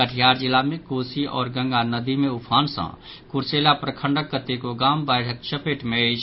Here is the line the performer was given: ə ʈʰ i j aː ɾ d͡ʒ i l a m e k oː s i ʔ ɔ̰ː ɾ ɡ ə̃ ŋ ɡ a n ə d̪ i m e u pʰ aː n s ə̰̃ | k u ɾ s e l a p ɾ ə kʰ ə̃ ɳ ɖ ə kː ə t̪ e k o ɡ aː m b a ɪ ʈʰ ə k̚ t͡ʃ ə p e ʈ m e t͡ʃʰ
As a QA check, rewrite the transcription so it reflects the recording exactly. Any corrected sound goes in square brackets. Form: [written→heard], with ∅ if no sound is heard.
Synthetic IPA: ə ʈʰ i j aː ɾ d͡ʒ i l a m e k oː s i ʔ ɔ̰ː ɾ ɡ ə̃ ŋ ɡ a n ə d̪ i m e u pʰ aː n s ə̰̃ | k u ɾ s e l a p ɾ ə kʰ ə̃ ɳ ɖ ə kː ə t̪ e k o ɡ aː m b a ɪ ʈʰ ə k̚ t͡ʃ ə p e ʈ m e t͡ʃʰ